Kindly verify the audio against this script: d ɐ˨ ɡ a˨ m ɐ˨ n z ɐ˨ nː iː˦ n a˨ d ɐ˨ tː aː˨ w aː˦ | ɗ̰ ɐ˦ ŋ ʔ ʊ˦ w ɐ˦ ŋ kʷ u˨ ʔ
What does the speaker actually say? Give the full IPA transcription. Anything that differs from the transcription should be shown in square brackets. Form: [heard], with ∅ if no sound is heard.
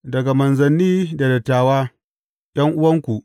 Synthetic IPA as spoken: d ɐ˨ ɡ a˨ m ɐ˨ n z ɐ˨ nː iː˦ [d] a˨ d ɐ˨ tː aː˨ w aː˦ | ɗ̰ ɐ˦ ŋ ʔ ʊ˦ w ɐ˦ ŋ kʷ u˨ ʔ